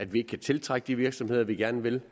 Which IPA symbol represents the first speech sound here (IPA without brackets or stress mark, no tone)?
æ